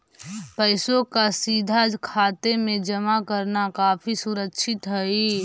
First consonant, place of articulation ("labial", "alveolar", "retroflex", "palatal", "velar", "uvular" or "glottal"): labial